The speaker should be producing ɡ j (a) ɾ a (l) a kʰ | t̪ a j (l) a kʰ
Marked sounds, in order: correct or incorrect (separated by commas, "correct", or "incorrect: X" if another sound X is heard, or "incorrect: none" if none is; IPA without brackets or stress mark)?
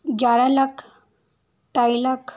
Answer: correct, correct, correct